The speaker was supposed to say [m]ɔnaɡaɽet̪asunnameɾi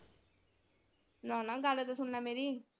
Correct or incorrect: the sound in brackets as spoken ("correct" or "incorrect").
incorrect